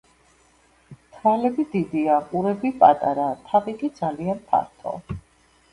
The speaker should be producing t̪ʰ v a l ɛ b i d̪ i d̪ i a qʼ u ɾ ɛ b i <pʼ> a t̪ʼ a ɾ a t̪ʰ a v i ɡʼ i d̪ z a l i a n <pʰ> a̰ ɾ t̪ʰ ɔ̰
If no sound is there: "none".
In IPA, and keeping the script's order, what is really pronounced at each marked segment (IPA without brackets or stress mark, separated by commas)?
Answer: pʼ, pʰ